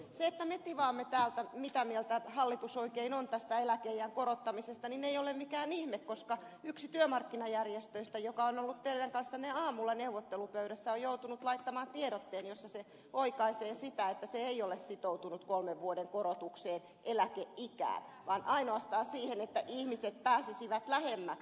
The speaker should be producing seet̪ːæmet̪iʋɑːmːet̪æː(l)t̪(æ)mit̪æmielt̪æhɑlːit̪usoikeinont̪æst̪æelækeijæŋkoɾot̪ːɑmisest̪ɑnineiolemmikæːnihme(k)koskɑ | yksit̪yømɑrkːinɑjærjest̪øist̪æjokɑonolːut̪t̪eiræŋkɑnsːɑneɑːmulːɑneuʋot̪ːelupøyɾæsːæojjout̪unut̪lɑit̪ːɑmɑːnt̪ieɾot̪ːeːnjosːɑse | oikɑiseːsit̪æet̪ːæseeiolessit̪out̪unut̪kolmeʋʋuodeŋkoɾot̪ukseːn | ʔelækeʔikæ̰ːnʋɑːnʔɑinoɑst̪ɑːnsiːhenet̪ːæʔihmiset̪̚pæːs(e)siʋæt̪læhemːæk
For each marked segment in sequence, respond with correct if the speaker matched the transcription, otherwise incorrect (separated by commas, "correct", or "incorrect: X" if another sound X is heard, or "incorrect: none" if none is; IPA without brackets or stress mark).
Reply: correct, correct, correct, incorrect: i